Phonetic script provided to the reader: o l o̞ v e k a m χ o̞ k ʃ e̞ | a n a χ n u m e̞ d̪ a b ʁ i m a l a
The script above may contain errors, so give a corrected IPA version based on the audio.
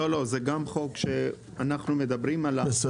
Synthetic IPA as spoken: o l o̞ z e ɡ a m χ o̞ k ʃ e̞ | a n a χ n u m e̞ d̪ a b ʁ i m a l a